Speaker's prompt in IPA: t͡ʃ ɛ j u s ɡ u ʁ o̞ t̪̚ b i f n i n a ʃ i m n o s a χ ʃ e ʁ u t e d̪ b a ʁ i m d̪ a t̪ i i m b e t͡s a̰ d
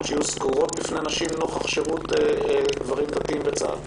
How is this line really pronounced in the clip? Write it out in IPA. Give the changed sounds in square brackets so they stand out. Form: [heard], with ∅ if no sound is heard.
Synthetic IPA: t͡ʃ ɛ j u s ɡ u ʁ o̞ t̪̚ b i f n [e] n a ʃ i m n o [χ] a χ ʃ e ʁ u t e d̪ [v] a ʁ i m d̪ a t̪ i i m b e t͡s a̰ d